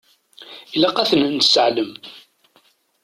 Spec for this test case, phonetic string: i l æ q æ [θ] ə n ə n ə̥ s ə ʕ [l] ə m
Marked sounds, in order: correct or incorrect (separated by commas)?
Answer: correct, correct